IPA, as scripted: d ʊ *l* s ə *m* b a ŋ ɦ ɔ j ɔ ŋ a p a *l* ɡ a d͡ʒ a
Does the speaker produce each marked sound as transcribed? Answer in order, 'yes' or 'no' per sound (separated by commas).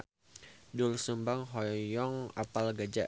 yes, yes, yes